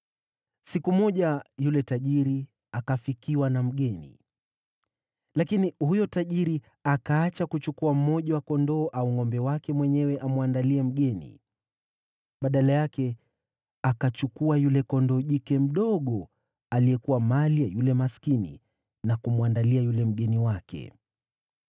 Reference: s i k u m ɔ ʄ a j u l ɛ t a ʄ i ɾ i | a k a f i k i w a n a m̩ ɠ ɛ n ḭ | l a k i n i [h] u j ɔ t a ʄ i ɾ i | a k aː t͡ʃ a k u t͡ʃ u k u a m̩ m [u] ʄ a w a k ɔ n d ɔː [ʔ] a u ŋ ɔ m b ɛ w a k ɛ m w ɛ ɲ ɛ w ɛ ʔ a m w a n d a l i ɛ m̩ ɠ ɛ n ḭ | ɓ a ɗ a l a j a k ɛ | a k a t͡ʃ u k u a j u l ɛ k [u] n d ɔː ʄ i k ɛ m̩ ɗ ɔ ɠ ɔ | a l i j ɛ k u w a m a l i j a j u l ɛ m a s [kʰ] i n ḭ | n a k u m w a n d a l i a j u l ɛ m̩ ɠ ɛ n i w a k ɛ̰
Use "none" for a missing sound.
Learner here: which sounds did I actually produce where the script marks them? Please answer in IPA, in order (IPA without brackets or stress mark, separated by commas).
h, ɔ, ʔ, ɔ, k